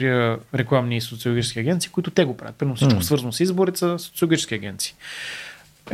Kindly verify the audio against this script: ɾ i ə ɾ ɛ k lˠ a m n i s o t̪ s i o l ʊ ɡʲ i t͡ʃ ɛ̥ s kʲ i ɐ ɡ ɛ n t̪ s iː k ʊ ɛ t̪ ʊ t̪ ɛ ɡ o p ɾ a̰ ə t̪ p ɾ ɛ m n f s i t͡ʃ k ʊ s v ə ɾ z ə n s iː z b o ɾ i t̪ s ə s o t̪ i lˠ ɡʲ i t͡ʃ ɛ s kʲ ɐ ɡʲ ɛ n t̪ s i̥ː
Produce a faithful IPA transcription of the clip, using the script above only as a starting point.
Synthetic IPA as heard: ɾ i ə ɾ ɛ k lˠ a m n i s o t̪ s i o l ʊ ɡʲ i t͡ʃ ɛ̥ s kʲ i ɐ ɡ ɛ n t̪ s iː k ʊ i t̪ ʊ t̪ ɛ ɡ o p ɾ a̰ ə t̪ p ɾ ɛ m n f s i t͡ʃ k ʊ s v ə ɾ z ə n s i z b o ɾ i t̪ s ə s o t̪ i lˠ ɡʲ i t͡ʃ ɛ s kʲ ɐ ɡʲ ɛ n t̪ s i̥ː